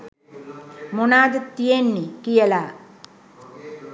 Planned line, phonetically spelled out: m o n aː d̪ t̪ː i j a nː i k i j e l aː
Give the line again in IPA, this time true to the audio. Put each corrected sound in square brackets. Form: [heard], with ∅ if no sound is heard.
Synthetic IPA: m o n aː d̪ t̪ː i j [e] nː i k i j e l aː